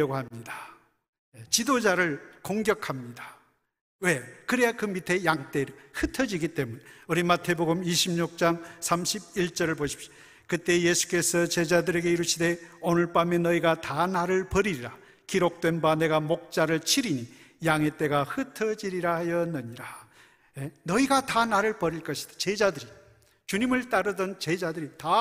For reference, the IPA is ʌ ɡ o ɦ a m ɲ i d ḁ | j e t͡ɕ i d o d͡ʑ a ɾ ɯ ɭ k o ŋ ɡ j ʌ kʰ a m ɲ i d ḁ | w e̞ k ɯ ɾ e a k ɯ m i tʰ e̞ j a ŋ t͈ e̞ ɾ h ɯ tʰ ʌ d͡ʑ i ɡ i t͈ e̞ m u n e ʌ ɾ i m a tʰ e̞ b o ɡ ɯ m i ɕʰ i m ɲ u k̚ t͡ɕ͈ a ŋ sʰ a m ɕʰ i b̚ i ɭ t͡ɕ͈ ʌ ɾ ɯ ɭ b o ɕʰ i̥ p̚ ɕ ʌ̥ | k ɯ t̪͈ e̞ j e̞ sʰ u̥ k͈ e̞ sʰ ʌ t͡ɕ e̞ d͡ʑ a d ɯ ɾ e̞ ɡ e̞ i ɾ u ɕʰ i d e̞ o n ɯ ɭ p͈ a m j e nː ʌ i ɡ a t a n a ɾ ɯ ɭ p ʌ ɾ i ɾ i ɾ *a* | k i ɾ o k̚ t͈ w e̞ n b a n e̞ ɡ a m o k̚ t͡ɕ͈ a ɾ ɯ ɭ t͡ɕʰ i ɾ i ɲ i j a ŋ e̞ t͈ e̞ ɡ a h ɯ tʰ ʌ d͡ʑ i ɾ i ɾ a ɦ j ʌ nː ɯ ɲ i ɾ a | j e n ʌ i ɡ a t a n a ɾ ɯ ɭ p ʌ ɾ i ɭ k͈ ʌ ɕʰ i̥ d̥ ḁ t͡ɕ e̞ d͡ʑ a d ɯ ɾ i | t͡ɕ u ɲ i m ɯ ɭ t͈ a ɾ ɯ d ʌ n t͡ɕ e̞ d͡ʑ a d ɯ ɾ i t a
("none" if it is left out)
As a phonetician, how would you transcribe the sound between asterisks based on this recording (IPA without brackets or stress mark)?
a